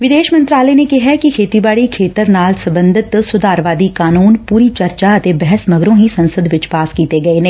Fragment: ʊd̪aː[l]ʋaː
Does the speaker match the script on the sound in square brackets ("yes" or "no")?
no